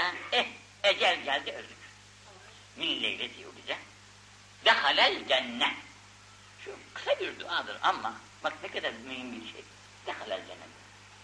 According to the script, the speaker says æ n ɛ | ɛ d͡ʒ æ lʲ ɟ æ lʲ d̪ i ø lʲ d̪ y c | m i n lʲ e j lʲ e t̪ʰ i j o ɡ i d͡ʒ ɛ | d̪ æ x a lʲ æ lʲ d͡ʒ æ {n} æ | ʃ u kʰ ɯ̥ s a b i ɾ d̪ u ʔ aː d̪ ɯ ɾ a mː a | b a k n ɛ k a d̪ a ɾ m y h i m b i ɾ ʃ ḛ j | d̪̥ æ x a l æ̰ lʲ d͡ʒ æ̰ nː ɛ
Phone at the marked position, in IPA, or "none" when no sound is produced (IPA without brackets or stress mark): nː